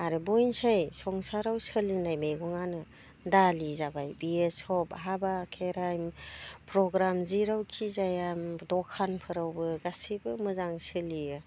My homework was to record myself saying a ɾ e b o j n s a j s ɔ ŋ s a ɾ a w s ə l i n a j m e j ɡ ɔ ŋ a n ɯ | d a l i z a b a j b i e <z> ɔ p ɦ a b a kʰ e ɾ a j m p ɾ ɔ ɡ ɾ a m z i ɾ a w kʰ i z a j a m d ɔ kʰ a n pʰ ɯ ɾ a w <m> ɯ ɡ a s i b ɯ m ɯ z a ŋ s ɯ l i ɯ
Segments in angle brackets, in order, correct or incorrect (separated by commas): incorrect, incorrect